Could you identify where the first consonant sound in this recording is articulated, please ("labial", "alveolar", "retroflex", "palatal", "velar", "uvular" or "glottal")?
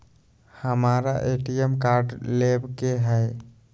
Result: glottal